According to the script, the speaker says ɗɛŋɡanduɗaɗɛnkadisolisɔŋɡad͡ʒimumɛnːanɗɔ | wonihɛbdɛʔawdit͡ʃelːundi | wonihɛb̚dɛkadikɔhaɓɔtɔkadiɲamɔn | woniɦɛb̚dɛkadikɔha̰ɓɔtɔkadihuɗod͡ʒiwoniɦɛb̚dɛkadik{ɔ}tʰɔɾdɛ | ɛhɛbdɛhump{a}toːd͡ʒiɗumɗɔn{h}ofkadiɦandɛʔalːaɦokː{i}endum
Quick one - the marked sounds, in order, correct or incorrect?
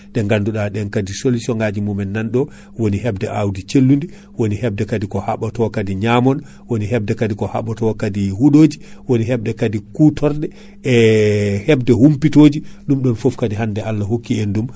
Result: incorrect, incorrect, incorrect, correct

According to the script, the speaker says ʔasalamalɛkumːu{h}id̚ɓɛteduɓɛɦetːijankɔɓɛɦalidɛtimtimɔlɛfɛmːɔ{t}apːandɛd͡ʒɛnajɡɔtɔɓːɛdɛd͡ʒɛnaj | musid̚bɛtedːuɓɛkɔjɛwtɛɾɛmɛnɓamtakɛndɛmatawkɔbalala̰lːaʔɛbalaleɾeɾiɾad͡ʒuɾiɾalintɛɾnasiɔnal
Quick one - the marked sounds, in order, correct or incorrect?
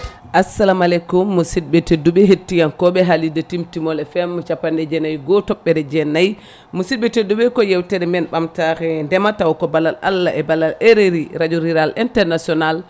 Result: incorrect, incorrect

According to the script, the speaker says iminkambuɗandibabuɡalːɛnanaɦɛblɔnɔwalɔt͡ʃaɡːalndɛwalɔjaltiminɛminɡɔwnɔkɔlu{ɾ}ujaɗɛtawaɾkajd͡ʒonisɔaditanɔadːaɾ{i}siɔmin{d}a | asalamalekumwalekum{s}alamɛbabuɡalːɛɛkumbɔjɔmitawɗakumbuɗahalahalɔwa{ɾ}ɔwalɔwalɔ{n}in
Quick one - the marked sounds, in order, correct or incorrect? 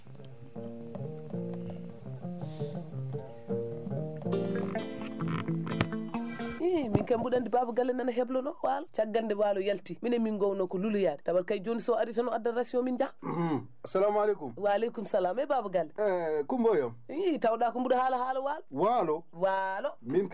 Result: incorrect, incorrect, incorrect, correct, incorrect, incorrect

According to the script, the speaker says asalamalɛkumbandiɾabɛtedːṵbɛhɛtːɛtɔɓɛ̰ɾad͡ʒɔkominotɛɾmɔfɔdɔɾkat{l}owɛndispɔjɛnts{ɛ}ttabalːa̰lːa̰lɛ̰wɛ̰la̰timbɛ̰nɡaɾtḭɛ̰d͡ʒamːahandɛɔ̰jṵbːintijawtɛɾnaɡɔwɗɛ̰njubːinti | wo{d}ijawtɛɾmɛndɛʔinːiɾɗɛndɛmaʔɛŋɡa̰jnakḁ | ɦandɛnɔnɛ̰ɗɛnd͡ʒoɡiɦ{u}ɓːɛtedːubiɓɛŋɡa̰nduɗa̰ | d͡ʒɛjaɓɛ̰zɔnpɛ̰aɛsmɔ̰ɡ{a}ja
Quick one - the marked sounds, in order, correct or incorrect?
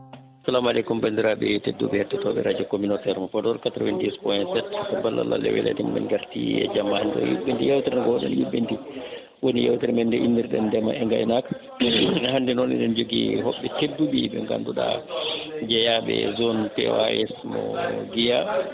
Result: incorrect, correct, incorrect, incorrect, incorrect

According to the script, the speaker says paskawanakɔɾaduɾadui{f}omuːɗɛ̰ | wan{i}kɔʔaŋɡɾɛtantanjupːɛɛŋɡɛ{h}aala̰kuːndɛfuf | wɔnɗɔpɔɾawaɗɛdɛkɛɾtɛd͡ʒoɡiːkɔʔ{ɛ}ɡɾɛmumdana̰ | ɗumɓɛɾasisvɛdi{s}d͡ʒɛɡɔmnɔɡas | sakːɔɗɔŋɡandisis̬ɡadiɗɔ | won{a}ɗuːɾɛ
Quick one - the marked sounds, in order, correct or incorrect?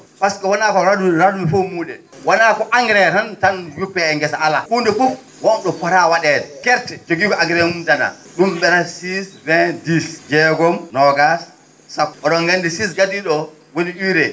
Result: correct, incorrect, incorrect, incorrect, correct, incorrect

